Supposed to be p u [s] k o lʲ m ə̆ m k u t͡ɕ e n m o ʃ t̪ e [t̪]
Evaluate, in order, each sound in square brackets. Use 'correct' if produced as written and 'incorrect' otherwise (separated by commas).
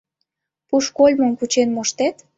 incorrect, correct